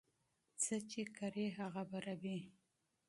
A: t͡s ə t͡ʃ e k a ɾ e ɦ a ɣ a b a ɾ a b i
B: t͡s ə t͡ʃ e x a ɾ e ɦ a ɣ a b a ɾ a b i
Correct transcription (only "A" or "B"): A